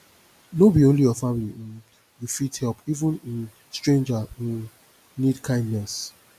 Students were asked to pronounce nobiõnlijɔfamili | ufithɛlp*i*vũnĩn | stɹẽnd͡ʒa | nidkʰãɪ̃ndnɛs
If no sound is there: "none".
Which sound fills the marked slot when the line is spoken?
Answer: i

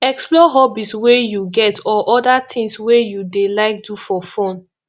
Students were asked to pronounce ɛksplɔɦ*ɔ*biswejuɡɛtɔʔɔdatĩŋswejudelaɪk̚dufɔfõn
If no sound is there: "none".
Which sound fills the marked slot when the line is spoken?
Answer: ɔ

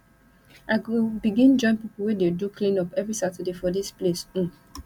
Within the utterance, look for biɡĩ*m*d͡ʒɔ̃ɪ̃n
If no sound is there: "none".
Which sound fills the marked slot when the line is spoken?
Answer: n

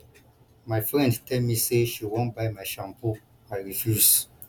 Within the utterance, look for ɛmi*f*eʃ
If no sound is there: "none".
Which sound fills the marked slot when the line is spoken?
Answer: s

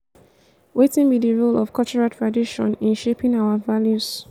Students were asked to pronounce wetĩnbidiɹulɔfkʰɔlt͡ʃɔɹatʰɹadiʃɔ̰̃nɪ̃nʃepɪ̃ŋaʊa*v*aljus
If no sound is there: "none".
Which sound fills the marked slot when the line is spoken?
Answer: v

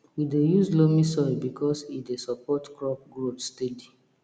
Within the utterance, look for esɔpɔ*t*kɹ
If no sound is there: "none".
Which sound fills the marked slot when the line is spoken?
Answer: t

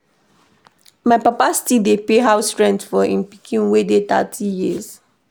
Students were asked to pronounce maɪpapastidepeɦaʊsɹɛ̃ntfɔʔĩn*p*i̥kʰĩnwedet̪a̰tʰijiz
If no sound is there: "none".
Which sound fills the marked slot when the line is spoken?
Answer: p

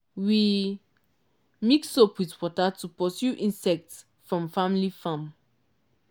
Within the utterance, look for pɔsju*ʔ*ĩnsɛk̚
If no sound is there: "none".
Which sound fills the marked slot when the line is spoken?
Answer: ʔ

